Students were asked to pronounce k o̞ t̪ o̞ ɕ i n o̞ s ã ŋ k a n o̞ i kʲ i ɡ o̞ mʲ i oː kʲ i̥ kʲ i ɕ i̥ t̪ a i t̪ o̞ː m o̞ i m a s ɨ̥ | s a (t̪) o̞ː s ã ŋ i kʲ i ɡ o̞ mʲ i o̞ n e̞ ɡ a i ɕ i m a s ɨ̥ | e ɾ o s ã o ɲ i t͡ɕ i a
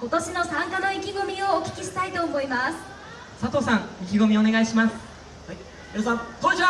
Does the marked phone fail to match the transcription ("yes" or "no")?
no